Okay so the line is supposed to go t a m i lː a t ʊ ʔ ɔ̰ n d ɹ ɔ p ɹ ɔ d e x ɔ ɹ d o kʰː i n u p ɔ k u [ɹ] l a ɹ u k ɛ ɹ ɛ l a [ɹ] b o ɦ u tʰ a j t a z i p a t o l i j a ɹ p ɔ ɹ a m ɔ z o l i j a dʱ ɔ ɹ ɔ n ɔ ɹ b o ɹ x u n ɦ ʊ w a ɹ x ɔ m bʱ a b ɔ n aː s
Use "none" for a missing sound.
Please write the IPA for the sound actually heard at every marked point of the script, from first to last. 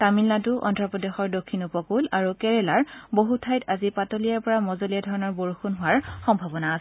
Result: none, ɹ

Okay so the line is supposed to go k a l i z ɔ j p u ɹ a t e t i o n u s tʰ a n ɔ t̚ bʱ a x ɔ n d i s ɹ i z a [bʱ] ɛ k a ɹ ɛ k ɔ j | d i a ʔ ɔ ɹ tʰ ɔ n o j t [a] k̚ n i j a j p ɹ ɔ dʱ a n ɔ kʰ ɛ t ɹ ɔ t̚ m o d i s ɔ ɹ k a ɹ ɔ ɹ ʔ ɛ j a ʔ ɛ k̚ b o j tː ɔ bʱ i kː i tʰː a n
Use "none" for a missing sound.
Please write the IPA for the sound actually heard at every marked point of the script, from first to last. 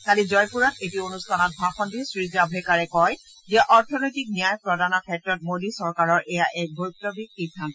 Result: bʱ, i

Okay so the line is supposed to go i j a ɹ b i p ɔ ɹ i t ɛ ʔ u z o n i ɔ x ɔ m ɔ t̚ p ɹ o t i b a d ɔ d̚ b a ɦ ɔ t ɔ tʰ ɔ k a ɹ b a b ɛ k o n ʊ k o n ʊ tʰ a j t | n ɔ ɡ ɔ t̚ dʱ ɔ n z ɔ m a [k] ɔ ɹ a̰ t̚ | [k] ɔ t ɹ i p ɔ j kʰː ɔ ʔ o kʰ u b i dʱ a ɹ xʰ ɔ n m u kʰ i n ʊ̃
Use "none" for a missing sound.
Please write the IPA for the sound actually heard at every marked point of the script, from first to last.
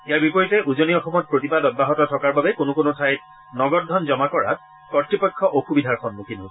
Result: k, k

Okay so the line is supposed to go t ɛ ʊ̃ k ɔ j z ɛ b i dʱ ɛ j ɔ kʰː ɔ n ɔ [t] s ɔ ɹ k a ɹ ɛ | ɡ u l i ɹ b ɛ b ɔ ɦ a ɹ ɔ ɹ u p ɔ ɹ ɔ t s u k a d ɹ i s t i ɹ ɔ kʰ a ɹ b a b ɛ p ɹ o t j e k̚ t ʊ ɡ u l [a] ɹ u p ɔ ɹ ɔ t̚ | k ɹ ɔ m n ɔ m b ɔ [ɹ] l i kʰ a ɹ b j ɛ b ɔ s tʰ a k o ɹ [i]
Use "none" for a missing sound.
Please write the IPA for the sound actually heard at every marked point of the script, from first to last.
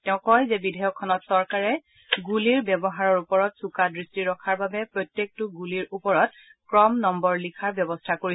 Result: t, i, ɹ, i

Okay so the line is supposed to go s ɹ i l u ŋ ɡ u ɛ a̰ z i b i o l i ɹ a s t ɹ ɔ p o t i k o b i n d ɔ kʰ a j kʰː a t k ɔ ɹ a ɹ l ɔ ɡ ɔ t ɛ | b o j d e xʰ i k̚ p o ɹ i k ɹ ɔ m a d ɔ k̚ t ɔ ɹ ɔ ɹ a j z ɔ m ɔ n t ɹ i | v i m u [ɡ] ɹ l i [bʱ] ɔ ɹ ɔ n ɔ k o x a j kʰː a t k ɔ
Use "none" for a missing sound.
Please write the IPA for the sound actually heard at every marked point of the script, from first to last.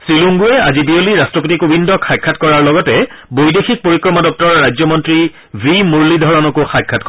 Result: none, dʱ

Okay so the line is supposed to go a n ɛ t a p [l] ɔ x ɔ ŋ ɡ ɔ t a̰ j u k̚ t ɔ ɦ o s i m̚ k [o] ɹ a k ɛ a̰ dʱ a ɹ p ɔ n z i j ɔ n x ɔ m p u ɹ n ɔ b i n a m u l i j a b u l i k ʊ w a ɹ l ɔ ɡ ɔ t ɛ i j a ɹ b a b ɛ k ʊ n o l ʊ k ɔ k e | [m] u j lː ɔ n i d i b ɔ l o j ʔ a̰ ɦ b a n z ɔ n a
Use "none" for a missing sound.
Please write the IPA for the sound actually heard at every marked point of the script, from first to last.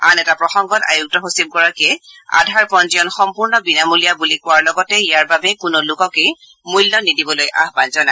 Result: ɹ, ɔ, m

